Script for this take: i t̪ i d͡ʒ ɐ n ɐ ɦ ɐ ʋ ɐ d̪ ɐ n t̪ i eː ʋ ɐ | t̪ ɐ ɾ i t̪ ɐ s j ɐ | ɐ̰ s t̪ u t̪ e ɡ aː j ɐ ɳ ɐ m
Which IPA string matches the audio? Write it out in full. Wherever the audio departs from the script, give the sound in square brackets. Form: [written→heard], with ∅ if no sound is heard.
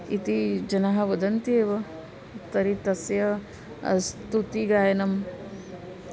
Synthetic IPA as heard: i t̪ i d͡ʒ ɐ n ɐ ɦ ɐ ʋ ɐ d̪ ɐ n t̪ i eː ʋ ɐ | t̪ ɐ ɾ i t̪ ɐ s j ɐ | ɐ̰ s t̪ u t̪ [e→i] ɡ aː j ɐ [ɳ→n] ɐ m